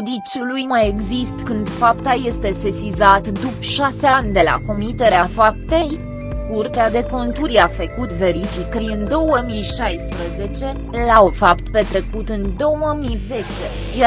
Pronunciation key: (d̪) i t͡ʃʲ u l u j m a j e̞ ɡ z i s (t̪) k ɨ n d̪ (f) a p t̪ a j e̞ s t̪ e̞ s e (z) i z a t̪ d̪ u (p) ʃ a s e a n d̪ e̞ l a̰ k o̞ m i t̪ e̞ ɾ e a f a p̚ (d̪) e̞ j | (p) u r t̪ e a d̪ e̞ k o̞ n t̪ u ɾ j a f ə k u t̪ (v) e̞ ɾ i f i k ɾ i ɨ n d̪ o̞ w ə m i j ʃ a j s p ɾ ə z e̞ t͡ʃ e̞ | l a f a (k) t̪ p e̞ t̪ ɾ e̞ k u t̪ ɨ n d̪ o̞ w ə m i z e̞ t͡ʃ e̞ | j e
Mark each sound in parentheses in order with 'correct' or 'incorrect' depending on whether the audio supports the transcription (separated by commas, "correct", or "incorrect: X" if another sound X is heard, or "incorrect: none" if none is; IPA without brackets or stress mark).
correct, correct, correct, incorrect: s, correct, incorrect: t̪, incorrect: k, correct, incorrect: p